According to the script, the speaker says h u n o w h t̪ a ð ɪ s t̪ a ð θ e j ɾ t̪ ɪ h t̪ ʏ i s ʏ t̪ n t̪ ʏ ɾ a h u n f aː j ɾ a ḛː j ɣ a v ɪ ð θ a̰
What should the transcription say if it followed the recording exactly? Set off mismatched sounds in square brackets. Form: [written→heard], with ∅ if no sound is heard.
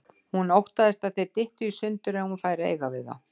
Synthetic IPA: h u n o w h t̪ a ð ɪ s t̪ a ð θ e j ɾ t̪ ɪ h t̪ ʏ i s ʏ [t̪→∅] n t̪ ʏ ɾ [a→ɛ] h u n f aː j ɾ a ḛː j ɣ a v ɪ ð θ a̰